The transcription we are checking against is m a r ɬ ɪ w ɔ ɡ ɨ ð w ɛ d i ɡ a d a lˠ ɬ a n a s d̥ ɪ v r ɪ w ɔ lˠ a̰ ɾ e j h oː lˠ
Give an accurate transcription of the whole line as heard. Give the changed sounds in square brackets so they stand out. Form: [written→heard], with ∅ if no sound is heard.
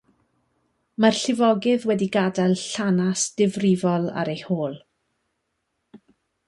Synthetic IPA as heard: m a r ɬ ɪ [w→v] ɔ ɡ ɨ ð w ɛ d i ɡ a d a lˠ ɬ a n a s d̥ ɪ v r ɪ [w→v] ɔ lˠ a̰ ɾ e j h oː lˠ